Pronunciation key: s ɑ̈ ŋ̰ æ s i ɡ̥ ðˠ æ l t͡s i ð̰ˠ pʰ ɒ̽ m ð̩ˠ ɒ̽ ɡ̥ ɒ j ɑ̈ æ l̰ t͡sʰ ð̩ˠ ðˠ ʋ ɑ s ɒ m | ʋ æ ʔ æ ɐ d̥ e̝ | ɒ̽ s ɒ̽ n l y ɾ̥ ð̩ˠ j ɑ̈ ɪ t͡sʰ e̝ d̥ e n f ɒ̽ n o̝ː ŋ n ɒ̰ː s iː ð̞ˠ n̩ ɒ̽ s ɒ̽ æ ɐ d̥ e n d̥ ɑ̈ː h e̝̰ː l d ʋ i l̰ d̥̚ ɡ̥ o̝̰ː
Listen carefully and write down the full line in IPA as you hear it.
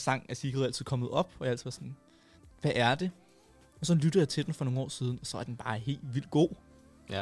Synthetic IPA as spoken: s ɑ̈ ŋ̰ æ s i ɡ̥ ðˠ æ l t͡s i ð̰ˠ kʰ ɒ̽ m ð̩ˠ ɒ̽ b̥ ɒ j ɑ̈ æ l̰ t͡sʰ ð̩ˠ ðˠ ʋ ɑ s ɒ n | ʋ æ ʔ æ ɐ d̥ e̝ | ɒ̽ s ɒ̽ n l y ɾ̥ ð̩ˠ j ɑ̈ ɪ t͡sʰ e̝ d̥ e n f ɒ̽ n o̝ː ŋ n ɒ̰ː s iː ð̞ˠ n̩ ɒ̽ s ɒ̽ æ ɐ d̥ e n b̥ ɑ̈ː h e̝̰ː l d ʋ i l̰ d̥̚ ɡ̥ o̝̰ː